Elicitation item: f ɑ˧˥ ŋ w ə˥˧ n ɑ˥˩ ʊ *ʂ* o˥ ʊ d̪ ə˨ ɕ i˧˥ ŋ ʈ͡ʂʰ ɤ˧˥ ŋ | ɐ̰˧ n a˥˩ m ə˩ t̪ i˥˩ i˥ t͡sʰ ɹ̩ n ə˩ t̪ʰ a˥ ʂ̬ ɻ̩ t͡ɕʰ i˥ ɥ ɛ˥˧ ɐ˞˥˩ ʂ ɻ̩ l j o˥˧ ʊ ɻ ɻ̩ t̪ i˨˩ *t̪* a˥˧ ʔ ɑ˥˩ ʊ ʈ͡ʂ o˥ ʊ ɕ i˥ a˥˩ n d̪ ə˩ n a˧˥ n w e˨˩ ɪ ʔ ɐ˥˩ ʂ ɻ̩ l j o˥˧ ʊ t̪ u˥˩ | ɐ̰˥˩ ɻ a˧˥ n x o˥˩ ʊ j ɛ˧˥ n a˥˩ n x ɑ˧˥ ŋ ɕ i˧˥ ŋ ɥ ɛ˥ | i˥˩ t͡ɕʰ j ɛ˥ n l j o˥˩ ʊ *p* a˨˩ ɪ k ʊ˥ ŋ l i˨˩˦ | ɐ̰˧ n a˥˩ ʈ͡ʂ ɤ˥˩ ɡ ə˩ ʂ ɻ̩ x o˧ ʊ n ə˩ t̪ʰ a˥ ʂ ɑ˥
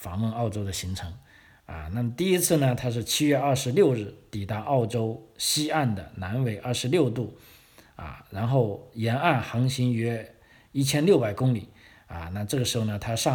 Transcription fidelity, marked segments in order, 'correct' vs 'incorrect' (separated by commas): incorrect, correct, correct